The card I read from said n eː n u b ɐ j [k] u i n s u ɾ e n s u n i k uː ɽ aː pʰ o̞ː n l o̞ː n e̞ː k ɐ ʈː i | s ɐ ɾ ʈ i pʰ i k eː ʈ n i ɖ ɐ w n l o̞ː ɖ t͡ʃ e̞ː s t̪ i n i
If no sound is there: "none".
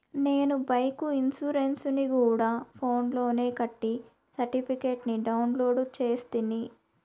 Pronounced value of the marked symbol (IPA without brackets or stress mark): k